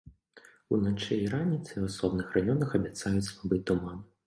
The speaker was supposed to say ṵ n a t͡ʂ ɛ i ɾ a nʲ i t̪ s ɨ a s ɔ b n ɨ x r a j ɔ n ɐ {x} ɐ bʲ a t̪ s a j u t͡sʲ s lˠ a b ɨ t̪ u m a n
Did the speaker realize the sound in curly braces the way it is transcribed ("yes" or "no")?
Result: yes